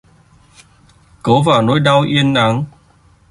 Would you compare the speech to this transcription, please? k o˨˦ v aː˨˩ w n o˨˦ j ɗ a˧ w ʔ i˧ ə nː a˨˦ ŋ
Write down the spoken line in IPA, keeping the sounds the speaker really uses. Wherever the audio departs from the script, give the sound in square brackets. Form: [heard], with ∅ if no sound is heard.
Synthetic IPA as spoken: k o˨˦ v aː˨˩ w n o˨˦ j ɗ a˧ w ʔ i˧ ə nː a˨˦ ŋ